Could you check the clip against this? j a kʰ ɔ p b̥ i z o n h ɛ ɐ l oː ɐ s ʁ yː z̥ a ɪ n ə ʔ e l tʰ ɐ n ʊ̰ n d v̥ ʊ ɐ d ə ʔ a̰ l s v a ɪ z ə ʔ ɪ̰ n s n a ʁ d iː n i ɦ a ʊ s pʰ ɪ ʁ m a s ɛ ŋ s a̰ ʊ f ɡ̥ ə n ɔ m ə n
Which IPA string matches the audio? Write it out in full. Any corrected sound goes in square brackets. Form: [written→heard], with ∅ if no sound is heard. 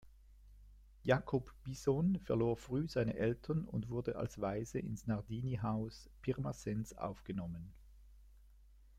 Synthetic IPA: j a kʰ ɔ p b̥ i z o n [h→f] ɛ ɐ l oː ɐ [s→f] ʁ yː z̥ a ɪ n ə ʔ [e→ɛ] l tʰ ɐ n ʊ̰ n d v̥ ʊ ɐ d ə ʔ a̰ l s v a ɪ z ə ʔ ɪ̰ n s n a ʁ d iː n i ɦ a ʊ s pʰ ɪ ʁ m a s ɛ [ŋ→n] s a̰ ʊ f ɡ̥ ə n ɔ m ə n